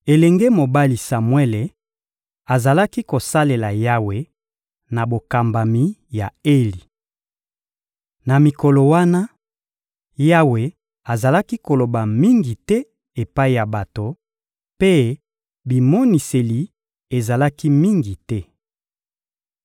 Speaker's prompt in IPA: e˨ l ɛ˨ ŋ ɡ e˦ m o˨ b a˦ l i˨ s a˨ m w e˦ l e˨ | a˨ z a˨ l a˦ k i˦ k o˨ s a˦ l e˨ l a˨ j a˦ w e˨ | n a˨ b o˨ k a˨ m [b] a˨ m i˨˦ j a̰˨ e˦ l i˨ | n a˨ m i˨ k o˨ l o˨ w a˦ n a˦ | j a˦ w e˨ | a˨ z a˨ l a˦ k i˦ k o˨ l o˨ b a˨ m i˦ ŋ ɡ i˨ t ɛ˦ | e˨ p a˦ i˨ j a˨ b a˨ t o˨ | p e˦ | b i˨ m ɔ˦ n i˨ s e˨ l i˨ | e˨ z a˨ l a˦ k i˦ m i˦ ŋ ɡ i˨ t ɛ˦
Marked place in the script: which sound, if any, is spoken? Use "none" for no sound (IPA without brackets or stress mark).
b